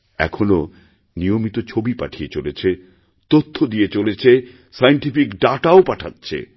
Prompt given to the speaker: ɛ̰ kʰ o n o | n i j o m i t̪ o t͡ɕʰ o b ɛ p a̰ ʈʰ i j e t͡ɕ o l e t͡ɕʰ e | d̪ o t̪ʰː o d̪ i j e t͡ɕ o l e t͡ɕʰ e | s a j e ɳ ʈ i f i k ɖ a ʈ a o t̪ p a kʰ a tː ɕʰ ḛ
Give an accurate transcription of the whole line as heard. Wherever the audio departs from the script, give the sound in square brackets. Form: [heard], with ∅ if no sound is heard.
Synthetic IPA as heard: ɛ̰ kʰ o n o | n i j o m i t̪ o t͡ɕʰ o b [i] p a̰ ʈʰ i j e t͡ɕ o l e t͡ɕʰ e | [t̪] o t̪ʰː o d̪ i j e t͡ɕ o l e t͡ɕʰ e | s a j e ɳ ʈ i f i k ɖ a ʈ a o [∅] p a [ʈʰ] a tː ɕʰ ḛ